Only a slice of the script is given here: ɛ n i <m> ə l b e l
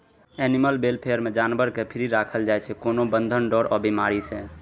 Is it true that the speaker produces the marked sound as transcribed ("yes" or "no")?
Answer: yes